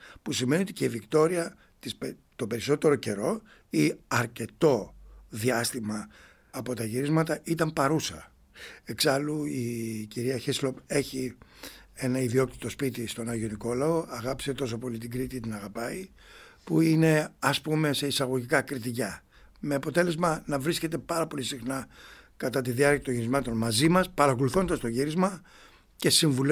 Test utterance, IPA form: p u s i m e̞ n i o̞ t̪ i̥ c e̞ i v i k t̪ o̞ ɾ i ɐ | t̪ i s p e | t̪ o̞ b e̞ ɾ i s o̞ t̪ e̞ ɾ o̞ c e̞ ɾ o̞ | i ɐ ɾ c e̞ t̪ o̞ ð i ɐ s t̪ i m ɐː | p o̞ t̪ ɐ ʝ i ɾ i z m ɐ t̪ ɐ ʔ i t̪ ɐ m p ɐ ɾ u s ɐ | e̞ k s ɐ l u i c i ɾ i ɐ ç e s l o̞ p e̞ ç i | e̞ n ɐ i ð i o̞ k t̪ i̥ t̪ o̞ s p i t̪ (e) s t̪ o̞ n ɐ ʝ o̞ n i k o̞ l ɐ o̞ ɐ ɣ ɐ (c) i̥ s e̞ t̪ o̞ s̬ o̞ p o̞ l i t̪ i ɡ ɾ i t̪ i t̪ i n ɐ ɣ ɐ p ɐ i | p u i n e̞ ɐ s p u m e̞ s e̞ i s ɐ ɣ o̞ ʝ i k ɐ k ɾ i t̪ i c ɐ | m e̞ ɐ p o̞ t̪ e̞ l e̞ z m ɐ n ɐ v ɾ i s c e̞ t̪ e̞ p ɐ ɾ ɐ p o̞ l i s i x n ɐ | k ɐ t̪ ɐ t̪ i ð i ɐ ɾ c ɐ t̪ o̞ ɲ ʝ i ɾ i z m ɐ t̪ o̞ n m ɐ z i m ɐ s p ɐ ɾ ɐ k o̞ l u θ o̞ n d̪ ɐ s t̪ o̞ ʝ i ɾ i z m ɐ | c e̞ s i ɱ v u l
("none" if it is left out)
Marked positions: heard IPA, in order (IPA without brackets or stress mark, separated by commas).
i, p